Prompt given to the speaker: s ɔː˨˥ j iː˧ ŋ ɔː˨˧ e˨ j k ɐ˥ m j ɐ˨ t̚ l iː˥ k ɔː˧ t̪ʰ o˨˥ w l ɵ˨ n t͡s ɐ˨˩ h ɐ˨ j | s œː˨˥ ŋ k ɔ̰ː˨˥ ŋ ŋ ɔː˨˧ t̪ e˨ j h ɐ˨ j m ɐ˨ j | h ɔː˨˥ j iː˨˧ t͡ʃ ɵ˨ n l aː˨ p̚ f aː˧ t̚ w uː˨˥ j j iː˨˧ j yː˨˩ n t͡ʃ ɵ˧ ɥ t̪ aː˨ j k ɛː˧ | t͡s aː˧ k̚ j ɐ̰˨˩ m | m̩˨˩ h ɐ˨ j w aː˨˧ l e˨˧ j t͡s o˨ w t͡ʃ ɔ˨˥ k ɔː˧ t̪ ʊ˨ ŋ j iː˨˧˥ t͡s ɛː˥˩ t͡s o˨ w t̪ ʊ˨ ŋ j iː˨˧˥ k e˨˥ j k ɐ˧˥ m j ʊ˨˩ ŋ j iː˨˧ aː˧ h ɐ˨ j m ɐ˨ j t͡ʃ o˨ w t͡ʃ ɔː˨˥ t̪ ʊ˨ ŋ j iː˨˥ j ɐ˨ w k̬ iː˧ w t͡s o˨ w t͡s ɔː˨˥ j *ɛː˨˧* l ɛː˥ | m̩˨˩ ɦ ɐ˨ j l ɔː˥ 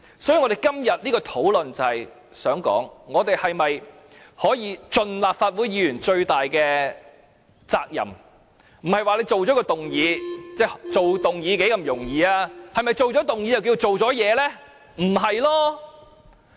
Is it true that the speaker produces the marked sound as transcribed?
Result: yes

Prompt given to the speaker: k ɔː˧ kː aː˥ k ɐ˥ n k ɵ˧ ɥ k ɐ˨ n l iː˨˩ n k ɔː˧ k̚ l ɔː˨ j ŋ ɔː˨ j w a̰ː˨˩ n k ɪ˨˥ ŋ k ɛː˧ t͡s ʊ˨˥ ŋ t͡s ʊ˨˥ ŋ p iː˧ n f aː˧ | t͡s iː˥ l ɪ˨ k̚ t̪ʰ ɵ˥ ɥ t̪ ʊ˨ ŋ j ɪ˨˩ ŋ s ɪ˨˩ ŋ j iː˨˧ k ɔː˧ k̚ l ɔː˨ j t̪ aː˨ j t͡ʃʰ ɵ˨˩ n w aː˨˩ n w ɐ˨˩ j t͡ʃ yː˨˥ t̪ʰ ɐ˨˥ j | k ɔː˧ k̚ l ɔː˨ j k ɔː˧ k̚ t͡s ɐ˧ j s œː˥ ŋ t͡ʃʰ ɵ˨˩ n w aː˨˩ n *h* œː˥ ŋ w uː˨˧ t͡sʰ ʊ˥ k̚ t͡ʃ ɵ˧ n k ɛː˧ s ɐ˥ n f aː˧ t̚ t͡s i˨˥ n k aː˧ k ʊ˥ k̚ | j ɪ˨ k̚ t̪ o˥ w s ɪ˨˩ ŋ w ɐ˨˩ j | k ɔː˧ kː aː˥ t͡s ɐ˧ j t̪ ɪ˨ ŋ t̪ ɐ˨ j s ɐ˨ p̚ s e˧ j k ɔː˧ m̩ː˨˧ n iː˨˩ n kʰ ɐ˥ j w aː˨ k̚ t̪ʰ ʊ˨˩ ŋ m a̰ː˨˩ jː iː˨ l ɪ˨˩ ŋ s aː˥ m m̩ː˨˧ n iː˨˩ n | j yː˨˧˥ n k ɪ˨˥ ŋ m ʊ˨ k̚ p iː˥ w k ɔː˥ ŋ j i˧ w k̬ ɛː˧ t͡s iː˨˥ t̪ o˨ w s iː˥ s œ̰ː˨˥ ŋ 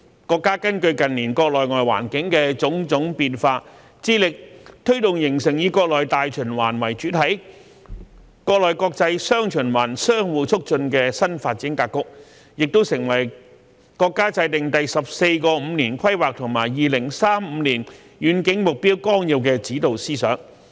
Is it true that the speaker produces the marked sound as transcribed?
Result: no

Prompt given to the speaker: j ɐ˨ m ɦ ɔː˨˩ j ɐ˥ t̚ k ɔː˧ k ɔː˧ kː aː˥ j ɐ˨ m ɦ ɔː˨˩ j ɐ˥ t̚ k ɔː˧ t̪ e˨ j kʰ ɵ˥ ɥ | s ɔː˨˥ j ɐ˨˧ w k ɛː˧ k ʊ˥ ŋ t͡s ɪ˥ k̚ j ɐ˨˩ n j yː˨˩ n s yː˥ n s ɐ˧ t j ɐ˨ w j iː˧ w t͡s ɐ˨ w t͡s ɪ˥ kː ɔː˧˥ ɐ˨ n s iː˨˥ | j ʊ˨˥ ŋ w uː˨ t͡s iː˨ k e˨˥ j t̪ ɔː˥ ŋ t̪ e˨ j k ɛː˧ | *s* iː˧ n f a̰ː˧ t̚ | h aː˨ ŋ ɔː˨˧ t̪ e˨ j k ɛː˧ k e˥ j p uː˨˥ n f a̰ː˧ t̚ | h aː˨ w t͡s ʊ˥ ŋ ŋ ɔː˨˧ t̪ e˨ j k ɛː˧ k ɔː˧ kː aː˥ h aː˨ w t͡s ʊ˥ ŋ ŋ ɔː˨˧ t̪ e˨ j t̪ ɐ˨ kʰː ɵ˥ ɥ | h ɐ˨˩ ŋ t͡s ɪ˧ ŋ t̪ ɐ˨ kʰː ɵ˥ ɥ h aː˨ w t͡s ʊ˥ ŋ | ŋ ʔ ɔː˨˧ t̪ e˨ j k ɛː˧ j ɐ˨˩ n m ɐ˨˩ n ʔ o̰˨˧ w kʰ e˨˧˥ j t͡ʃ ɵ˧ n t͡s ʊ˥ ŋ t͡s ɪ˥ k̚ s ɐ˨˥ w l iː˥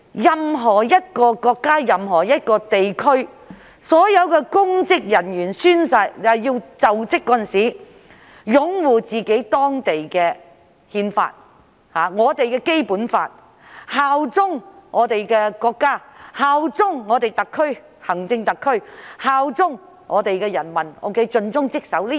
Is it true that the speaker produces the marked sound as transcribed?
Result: no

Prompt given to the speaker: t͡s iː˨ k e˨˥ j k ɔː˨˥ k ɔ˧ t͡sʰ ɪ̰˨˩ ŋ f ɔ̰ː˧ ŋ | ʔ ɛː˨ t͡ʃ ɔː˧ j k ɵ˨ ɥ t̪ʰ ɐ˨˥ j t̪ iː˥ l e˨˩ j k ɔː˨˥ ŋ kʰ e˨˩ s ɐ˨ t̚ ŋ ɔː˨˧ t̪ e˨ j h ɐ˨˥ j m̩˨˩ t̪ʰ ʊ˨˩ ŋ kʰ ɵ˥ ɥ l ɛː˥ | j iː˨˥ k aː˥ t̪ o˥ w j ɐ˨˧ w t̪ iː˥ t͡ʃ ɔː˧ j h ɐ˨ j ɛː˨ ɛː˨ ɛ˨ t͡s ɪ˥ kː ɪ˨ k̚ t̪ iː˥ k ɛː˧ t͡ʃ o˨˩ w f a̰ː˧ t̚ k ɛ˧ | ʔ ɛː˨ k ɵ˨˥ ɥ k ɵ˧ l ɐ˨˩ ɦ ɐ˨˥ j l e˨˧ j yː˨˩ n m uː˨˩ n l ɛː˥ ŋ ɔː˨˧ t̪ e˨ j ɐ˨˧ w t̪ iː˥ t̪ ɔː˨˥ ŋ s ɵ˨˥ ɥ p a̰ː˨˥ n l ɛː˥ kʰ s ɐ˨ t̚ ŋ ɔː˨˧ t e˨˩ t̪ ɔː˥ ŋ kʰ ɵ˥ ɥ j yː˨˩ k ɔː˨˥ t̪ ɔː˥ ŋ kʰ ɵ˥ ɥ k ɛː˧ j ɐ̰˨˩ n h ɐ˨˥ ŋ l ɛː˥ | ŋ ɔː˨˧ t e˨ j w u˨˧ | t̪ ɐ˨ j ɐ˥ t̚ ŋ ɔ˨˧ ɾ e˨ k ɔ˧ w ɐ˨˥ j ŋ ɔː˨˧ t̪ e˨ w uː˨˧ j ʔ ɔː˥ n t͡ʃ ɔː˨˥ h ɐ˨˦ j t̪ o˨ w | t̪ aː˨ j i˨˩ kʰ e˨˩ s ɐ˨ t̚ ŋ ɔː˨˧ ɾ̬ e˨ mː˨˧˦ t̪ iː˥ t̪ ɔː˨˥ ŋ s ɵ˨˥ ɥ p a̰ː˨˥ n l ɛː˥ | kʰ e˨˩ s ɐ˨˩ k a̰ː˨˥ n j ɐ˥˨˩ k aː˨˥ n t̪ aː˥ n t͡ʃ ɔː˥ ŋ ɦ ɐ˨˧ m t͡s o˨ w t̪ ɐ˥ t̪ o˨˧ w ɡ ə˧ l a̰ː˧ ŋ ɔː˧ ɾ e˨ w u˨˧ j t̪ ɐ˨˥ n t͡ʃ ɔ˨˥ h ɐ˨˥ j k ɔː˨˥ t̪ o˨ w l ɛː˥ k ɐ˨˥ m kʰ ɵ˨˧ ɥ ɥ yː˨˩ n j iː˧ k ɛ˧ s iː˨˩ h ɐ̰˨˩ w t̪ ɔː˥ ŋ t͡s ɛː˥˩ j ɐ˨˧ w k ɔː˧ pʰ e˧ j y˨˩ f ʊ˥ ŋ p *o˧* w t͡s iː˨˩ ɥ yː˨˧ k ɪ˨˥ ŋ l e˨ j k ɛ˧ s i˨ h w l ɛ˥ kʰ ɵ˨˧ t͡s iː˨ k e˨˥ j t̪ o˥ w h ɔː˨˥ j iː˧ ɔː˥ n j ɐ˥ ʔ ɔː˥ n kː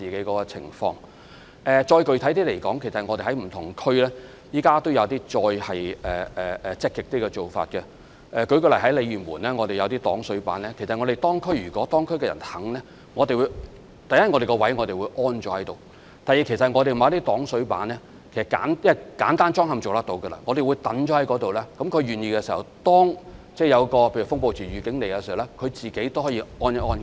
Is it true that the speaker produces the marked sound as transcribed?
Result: yes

